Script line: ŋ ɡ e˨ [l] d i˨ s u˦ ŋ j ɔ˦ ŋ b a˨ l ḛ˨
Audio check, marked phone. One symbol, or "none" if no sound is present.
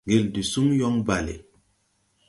l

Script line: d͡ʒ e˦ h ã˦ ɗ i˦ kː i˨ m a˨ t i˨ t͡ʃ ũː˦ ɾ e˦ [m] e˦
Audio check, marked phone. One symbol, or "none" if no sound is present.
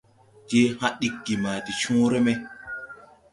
m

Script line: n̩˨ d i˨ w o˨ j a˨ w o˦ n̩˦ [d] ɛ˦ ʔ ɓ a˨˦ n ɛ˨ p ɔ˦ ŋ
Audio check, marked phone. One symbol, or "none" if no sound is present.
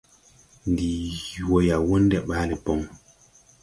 d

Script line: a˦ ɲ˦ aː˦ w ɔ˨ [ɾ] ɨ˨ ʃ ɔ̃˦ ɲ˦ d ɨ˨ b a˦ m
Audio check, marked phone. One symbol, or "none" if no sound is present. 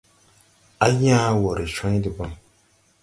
ɾ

